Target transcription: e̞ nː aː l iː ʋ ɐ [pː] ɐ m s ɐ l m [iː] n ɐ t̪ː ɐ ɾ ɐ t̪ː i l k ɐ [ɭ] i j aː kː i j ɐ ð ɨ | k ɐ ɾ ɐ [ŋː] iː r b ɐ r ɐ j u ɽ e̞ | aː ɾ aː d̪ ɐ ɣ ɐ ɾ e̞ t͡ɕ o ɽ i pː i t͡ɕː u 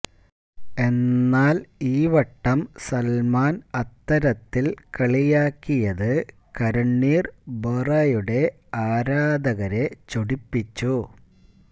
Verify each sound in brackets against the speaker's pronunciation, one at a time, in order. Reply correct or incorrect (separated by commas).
incorrect, incorrect, correct, incorrect